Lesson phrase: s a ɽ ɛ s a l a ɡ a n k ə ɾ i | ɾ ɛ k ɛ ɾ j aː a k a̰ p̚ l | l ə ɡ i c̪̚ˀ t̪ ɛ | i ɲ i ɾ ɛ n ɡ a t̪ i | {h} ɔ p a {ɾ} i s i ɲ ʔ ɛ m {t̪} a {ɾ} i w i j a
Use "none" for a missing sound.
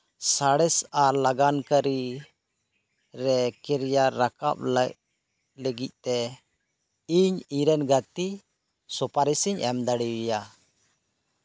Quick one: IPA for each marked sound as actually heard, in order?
s, ɾ, d̪, ɽ

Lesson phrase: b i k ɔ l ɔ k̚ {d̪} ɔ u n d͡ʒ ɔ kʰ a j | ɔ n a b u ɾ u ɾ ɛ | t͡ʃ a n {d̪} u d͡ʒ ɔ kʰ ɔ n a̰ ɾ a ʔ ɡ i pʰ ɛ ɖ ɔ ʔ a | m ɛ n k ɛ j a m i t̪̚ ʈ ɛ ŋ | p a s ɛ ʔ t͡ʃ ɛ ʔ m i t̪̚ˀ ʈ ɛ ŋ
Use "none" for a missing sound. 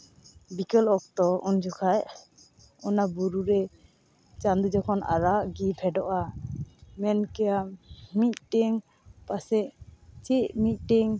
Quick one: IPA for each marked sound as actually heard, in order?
t̪, d̪

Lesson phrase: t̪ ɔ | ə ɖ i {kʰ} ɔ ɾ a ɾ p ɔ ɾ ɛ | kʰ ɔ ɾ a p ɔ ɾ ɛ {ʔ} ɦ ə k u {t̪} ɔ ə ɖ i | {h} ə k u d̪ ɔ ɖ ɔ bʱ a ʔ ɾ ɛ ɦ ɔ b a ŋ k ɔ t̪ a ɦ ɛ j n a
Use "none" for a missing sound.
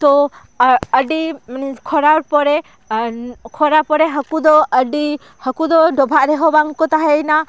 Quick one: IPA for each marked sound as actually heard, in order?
kʰ, none, d̪, h

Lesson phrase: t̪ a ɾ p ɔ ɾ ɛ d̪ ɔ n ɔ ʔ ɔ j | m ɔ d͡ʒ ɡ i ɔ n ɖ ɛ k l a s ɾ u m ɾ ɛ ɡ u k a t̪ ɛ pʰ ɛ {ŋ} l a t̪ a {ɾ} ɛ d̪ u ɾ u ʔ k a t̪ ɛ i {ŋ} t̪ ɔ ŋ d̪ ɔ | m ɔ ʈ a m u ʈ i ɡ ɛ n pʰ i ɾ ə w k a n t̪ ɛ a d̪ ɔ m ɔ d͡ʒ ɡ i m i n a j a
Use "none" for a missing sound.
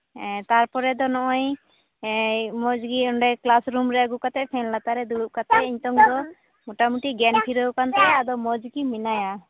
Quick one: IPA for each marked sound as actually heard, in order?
n, ɾ, ɲ

